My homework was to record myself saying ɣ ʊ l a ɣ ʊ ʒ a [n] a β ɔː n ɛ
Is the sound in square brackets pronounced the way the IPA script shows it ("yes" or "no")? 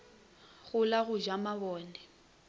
no